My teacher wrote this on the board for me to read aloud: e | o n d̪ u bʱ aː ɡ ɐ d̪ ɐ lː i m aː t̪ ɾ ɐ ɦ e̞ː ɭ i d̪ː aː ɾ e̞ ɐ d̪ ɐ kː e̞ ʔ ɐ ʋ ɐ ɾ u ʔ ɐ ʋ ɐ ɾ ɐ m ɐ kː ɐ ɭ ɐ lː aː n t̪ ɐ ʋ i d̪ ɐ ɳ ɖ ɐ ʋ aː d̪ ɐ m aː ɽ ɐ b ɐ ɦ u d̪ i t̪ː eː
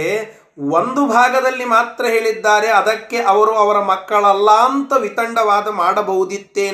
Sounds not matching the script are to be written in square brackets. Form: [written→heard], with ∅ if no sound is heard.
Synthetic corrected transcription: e | o n d̪ u bʱ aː ɡ ɐ d̪ ɐ lː i m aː t̪ ɾ ɐ ɦ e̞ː ɭ i d̪ː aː ɾ e̞ ɐ d̪ ɐ kː e̞ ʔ ɐ ʋ ɐ ɾ u [ʔ→∅] ɐ ʋ ɐ ɾ ɐ m ɐ kː ɐ ɭ ɐ lː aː n t̪ ɐ ʋ i [d̪→t̪] ɐ ɳ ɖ ɐ ʋ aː d̪ ɐ m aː ɽ ɐ b ɐ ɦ u d̪ i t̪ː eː